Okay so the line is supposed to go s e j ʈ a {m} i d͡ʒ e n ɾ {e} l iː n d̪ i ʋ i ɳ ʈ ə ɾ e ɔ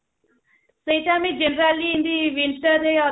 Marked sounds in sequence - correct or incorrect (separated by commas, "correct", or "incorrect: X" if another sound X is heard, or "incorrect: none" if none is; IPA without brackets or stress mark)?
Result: correct, incorrect: a